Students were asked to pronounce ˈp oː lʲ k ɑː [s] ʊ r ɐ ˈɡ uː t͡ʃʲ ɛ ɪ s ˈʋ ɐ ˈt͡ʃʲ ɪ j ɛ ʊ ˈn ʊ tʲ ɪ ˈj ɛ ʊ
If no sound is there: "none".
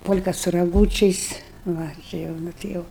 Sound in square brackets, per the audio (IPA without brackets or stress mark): s